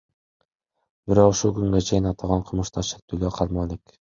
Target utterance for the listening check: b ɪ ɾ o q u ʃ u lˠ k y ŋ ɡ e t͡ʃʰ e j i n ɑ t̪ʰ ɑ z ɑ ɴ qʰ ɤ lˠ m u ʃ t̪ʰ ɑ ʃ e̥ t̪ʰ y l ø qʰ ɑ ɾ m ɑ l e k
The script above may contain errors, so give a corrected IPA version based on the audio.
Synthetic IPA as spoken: b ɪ ɾ o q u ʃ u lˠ k y ŋ ɡ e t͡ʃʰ e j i n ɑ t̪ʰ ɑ ʁ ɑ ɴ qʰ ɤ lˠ m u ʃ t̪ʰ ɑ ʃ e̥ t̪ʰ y l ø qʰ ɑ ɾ m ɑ l e k